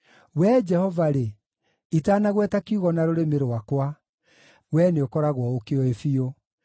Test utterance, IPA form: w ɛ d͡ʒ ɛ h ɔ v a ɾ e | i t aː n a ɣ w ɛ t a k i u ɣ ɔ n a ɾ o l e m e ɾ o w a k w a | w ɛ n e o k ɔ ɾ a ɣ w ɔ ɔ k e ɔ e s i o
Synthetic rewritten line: w ɛ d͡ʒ ɛ h ɔ v a ɾ e | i t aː n a ɣ w ɛ t a k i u ɣ ɔ n a ɾ o ɾ e m e ɾ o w a k w a | w ɛ n e o k ɔ ɾ a ɣ w ɔ o k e ɔ e f i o

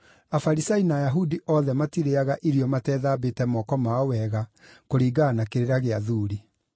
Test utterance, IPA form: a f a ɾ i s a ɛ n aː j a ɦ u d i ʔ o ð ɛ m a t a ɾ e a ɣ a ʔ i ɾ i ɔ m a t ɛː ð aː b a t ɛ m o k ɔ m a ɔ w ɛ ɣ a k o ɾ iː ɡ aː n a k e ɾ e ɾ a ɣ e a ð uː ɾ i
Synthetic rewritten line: a f a ɾ i s a i n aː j a ɦ u d i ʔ ɔ ð ɛ m a t i ɾ e a ɣ a ʔ i ɾ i ɔ m a t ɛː ð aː b e t ɛ m ɔ k ɔ m a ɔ w ɛ ɣ a k o ɾ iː ɡ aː n a k e ɾ e ɾ a ɣ e a ð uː ɾ i

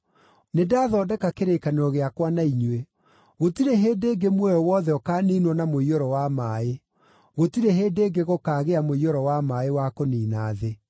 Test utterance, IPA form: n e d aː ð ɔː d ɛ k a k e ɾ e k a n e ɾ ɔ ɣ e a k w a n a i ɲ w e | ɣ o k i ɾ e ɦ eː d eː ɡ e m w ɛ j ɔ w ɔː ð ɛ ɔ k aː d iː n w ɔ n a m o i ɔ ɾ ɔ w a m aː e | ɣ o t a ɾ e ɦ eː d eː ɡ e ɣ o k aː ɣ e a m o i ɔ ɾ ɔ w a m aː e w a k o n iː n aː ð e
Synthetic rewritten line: n e d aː ð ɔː d ɛ k a k e ɾ e k a n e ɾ ɔ ɣ e a k w a n a i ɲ w e | ɣ o t i ɾ e ɦ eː d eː ɡ e m w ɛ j ɔ w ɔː ð ɛ ɔ k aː n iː n w ɔ n a m o i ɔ ɾ ɔ w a m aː e | ɣ o t i ɾ e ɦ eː d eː ɡ e ɣ o k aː ɣ e a m o i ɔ ɾ ɔ w a m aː e w a k o n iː n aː ð e

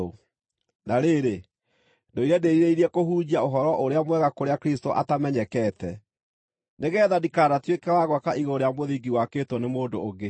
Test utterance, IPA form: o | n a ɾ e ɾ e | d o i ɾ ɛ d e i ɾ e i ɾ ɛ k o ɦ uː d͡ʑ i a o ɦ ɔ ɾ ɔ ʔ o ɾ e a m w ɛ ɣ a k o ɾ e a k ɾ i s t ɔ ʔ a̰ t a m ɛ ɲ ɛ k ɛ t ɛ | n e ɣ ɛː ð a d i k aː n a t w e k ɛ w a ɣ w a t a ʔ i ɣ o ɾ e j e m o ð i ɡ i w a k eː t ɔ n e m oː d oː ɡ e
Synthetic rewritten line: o | n a ɾ e ɾ e | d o i ɾ ɛ d e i ɾ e i ɾ ɛ k o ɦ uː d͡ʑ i a o ɦ ɔ ɾ ɔ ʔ o ɾ e a m w ɛ ɣ a k o ɾ e a k ɾ i s t o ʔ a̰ t a m ɛ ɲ ɛ k ɛ t ɛ | n e ɣ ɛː ð a d i k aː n a t w e k ɛ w a ɣ w a k a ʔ i ɣ o ɾ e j a m o ð i ɡ i w a k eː t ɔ n e m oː d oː ɡ e

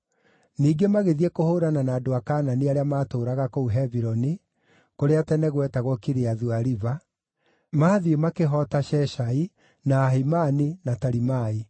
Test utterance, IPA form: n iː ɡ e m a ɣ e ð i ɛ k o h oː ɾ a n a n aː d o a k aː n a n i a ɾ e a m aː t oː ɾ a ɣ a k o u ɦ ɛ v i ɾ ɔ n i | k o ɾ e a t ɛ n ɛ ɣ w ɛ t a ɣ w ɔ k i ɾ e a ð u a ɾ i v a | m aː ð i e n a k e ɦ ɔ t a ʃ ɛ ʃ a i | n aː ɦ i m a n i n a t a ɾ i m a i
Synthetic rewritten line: n iː ɡ e m a ɣ e ð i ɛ k o h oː ɾ a n a n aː d o a k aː n a n i a ɾ e a m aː t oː ɾ a ɣ a k o u ɦ ɛ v i ɾ ɔ n i | k o ɾ e a t ɛ n ɛ ɣ w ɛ t a ɣ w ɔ k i ɾ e a ð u a ɾ i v a | m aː ð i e m a k e ɦ ɔ t a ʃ ɛ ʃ a i | n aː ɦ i m a n i n a t a ɾ i m a i

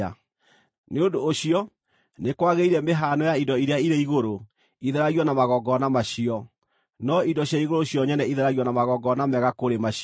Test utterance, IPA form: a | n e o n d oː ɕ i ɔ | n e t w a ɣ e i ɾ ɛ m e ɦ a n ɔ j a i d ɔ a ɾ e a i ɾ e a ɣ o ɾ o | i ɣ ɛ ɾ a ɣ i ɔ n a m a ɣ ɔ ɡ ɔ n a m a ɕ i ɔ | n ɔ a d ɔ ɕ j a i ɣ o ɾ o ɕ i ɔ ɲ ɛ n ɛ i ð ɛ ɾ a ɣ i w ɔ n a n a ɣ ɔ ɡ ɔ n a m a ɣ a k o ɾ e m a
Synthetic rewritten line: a | n e o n d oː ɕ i ɔ | n e k w a ɣ e i ɾ ɛ m e ɦ a n ɔ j a i d ɔ i ɾ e a i ɾ e i ɣ o ɾ o | i ð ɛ ɾ a ɣ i ɔ n a m a ɣ ɔ ɡ ɔ n a m a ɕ i ɔ | n ɔ i d ɔ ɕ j a i ɣ o ɾ o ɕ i ɔ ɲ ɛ n ɛ i ð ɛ ɾ a ɣ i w ɔ n a m a ɣ ɔ ɡ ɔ n a m ɛ ɣ a k o ɾ e m a

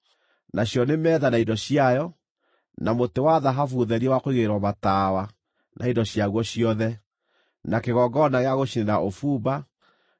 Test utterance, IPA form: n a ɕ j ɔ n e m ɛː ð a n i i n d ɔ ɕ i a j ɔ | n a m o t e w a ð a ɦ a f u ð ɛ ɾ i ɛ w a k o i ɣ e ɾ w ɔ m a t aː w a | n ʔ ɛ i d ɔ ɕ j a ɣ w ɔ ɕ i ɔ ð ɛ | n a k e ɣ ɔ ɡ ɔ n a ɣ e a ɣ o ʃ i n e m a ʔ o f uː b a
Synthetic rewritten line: n a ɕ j ɔ n e m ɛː ð a n a i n d ɔ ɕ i a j ɔ | n a m o t e w a ð a ɦ a f u ð ɛ ɾ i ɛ w a k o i ɣ e ɾ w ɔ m a t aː w a | n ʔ a i d ɔ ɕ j a ɣ w ɔ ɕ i ɔ ð ɛ | n a k e ɣ ɔ ɡ ɔ n a ɣ e a ɣ o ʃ i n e n a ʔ o f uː b a

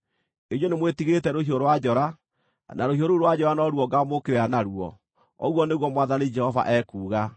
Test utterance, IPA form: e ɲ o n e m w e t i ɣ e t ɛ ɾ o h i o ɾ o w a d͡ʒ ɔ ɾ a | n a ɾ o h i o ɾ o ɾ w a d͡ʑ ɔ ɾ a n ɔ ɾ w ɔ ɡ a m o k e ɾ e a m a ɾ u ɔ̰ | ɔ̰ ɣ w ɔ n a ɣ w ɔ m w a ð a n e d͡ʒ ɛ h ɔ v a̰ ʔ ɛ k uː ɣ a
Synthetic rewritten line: e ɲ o n e m w e t i ɣ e t ɛ ɾ o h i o ɾ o w a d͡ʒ ɔ ɾ a | n a ɾ o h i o ɾ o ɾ w a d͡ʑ ɔ ɾ a n ɔ ɾ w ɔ ɡ a m o k e ɾ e a n a ɾ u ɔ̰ | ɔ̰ ɣ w ɔ n e ɣ w ɔ m w a ð a n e d͡ʒ ɛ h ɔ v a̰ ʔ ɛ k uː ɣ a

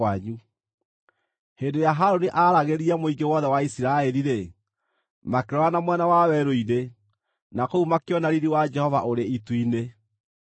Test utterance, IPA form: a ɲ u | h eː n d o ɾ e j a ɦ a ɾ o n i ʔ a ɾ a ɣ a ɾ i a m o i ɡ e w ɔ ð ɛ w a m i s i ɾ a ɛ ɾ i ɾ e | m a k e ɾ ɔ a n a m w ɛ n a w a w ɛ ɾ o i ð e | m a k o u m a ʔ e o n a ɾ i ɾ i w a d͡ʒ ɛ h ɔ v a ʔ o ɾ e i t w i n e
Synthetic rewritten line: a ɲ u | h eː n d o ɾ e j a ɦ a ɾ o n i ʔ a ɾ a ɣ e ɾ i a m o i ɡ e w ɔ ð ɛ w a i s i ɾ a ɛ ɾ i ɾ e | m a k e ɾ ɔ a n a m w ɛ n a w a w ɛ ɾ o i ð e | n a k o u m a k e ɔ n a ɾ i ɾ i w a d͡ʒ ɛ h ɔ v a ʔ o ɾ e i t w i n e

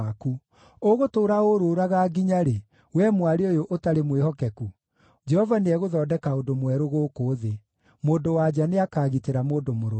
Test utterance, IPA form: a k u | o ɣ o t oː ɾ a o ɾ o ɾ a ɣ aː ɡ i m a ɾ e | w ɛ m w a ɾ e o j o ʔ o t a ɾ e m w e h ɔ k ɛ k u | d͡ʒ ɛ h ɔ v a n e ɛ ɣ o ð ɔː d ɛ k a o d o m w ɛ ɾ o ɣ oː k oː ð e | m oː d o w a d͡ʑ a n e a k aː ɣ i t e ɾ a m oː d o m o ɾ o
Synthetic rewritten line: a k u | o ɣ o t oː ɾ a o ɾ o ɾ a ɣ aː ɡ i ɲ a ɾ e | w ɛ m w a ɾ e o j o ʔ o t a ɾ e m w e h ɔ k ɛ k u | d͡ʒ ɛ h ɔ v a n e ɛ ɣ o ð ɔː d ɛ k a o d o m w ɛ ɾ o ɣ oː k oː ð e | m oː d o w a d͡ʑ a n e a k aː ɣ i t e ɾ a m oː d o m o ɾ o

